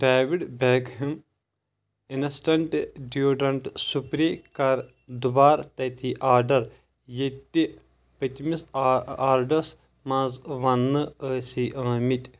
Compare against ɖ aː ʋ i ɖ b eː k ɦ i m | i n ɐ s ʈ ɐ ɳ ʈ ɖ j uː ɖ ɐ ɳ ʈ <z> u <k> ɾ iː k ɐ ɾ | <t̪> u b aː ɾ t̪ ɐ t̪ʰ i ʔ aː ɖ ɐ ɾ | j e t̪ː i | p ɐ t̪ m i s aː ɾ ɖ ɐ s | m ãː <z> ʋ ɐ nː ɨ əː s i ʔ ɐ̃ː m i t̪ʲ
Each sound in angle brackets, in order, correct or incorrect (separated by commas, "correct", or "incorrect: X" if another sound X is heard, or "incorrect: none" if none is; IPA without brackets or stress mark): incorrect: s, incorrect: p, incorrect: d̪, correct